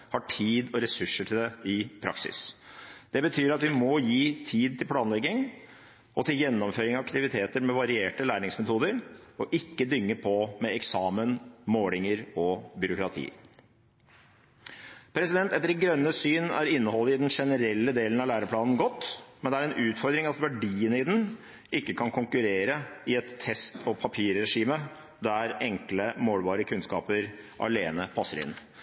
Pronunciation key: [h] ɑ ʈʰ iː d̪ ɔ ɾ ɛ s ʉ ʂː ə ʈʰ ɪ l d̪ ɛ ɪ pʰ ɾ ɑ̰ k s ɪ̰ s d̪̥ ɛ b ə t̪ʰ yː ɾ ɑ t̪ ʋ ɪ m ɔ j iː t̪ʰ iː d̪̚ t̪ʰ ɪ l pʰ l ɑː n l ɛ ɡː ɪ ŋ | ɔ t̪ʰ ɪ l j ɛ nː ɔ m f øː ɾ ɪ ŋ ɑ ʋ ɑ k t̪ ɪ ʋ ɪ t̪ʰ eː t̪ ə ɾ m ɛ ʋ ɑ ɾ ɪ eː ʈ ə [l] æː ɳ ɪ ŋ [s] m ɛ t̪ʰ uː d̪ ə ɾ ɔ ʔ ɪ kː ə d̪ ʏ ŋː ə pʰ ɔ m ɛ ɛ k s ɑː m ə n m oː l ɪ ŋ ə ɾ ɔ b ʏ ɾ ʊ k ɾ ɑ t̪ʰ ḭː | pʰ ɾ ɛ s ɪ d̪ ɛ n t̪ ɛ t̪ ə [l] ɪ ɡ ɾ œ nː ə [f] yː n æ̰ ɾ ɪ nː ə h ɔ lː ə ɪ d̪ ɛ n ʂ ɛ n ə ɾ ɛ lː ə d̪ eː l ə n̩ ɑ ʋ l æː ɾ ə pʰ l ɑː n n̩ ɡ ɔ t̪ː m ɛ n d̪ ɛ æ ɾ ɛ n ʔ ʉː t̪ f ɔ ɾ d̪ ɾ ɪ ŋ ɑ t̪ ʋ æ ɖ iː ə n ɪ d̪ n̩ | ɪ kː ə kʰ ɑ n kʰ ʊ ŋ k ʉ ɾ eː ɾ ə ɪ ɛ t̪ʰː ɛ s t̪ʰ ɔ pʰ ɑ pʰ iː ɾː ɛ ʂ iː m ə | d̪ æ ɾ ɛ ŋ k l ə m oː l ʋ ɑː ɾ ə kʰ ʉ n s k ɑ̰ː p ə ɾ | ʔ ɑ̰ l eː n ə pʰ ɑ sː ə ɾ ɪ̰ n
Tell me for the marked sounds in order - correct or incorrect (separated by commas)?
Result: correct, correct, correct, incorrect, incorrect